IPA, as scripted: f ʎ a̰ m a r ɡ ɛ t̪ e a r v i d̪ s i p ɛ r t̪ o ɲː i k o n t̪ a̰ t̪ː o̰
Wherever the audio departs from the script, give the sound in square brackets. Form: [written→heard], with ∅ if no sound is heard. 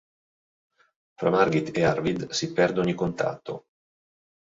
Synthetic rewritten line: f [ʎ→ɾ] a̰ m a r ɡ [ɛ→i] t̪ e a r v i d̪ s i p ɛ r [t̪→d̪] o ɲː i k o n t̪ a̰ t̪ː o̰